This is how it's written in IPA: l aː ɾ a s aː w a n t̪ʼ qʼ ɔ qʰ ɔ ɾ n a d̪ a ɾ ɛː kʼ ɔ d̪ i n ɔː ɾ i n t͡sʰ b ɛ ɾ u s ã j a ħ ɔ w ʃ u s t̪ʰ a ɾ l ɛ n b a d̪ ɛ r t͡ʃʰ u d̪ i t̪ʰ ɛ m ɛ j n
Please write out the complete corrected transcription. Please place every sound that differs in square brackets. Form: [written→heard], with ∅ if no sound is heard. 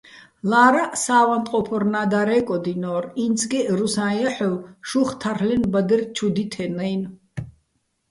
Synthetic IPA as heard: l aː ɾ a s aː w a n t̪ʼ qʼ ɔ [qʰ→pʰ] ɔ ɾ n a d̪ a ɾ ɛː kʼ ɔ d̪ i n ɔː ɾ i n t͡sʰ [b→ɡ] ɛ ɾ u s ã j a ħ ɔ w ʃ u [s→χ] t̪ʰ a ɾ l ɛ n b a d̪ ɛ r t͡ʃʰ u d̪ i t̪ʰ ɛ [m→n] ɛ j n